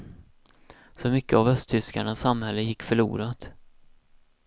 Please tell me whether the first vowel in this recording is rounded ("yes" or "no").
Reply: yes